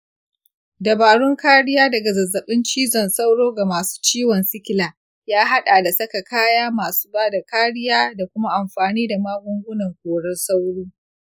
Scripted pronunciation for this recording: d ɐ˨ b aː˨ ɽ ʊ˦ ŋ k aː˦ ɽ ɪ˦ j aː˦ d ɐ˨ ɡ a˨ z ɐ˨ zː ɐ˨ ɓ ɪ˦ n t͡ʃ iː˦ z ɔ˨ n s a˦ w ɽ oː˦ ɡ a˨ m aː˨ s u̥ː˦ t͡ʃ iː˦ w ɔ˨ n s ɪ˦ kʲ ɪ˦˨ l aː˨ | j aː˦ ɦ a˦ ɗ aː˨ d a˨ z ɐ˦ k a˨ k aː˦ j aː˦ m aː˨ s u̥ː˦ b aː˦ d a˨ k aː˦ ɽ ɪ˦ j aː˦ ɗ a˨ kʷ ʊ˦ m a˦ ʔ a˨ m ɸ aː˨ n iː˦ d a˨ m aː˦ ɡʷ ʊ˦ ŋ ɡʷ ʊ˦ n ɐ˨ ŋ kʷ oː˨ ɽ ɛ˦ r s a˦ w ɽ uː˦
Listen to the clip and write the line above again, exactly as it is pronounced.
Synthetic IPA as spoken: d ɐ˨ b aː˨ ɽ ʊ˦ ŋ k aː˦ ɽ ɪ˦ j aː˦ d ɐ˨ ɡ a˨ z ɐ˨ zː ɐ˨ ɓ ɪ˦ n t͡ʃ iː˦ z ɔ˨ n s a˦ w ɽ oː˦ ɡ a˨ m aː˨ s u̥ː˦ t͡ʃ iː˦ w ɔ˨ n s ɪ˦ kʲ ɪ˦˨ l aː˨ | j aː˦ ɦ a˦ ɗ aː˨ d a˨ s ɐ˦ k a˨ k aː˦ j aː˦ m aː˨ s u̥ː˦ b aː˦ d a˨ k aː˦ ɽ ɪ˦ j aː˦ d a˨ kʷ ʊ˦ m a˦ ʔ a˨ m ɸ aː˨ n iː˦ d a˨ m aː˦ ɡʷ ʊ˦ ŋ ɡʷ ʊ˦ n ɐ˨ ŋ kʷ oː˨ ɽ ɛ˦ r s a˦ w ɽ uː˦